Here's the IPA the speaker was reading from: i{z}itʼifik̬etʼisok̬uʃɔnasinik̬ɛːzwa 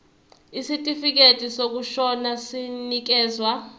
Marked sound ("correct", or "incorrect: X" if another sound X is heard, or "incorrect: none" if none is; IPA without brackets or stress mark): incorrect: s